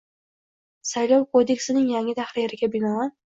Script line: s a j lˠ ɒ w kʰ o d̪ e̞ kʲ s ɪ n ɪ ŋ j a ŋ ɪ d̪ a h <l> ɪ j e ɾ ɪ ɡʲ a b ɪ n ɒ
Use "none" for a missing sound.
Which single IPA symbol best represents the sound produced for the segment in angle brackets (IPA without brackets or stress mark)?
ɾ